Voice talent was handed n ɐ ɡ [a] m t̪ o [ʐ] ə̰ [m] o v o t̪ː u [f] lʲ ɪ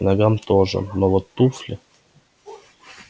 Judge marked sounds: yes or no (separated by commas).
yes, yes, no, yes